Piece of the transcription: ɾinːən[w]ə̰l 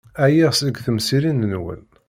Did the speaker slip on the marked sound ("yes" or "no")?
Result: no